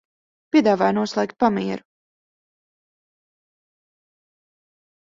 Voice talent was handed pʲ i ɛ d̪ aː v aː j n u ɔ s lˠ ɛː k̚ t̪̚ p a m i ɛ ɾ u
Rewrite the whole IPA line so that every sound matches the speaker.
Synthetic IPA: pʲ i ɛ d̪ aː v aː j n u ɔ s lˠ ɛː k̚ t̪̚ p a m i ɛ ɾ u